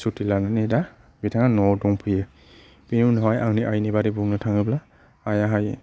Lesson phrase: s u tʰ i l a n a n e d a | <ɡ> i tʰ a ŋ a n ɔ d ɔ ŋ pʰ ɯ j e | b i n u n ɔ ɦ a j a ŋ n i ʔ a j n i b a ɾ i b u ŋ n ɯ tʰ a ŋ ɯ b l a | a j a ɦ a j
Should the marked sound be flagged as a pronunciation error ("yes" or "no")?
yes